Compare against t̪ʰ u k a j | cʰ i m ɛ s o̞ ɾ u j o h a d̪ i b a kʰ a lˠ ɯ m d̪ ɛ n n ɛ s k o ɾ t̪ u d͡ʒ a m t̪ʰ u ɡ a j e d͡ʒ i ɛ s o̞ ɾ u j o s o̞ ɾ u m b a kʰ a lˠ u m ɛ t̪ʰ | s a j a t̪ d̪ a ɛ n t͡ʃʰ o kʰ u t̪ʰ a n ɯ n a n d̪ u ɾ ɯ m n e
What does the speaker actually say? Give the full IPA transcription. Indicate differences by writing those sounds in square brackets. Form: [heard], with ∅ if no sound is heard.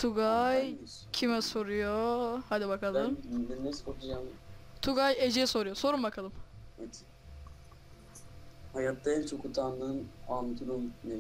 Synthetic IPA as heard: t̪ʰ u [ɡ] a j | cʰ i m ɛ s o̞ ɾ u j o h a d̪ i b a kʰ a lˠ ɯ m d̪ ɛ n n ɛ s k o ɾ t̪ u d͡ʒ a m t̪ʰ u ɡ a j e d͡ʒ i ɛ s o̞ ɾ u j o s o̞ ɾ u m b a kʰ a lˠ [ɯ] m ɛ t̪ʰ | [h] a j a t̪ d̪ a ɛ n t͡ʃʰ o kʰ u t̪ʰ a n ɯ n a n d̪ u ɾ [u] m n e